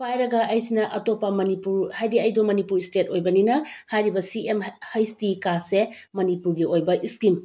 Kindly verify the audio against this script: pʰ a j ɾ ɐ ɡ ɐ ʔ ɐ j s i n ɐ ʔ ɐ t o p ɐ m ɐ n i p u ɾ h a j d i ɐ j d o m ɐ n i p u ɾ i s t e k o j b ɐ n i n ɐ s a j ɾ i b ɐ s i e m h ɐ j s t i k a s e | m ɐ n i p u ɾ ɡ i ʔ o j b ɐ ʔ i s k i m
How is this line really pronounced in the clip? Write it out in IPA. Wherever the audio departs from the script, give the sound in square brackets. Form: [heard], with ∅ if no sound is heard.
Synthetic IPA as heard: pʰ a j ɾ ɐ ɡ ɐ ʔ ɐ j s i n ɐ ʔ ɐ t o p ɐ m ɐ n i p u ɾ h a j d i ɐ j d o m ɐ n i p u ɾ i s t e [t] o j b ɐ n i n ɐ [h] a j ɾ i b ɐ s i e m h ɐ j s t i k a s e | m ɐ n i p u ɾ ɡ i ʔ o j b ɐ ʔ i s k i m